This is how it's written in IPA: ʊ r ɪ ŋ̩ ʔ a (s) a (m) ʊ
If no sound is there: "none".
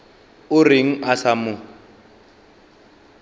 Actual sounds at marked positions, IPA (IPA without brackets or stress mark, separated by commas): s, m